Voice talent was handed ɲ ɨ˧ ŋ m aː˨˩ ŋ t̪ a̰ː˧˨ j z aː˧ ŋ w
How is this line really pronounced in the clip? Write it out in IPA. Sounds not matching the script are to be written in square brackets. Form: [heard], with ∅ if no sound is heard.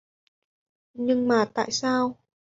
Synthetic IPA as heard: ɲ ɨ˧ ŋ m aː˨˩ [∅] t̪ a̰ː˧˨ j [s] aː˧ [∅] w